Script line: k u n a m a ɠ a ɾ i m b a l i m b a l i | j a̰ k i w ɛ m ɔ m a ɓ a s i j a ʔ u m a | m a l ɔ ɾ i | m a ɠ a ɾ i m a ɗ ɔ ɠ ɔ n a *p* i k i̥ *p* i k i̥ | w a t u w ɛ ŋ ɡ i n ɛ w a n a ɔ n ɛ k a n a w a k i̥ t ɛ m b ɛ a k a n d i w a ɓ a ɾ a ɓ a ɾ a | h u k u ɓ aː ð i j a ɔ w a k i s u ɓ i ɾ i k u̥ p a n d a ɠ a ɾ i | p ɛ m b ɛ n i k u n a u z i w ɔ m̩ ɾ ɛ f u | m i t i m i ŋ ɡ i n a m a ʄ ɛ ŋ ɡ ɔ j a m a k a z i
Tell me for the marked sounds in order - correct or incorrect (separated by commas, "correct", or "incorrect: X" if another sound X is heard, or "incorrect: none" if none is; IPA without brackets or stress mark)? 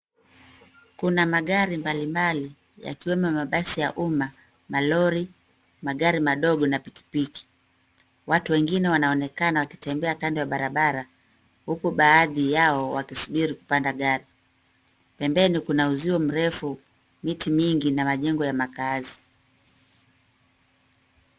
correct, correct